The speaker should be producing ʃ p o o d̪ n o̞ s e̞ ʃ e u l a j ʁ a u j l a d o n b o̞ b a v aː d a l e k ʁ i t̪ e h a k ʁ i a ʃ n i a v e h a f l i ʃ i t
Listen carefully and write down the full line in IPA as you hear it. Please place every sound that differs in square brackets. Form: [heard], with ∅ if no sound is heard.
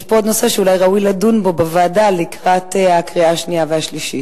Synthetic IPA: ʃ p o o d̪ n o̞ s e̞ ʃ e u l a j ʁ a u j l a d [u] n b o̞ b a v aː d a l [i] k ʁ [a] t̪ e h a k ʁ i a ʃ n i a v e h a [ʃ] l i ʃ i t